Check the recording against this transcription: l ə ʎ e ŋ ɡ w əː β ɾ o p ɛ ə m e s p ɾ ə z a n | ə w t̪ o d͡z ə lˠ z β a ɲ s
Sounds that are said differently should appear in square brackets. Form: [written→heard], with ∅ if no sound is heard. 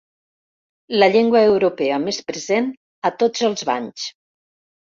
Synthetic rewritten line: l ə ʎ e ŋ ɡ w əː [β→w] ɾ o p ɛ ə m e s p ɾ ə z [a→e] n | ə [w→∅] t̪ o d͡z ə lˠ z β a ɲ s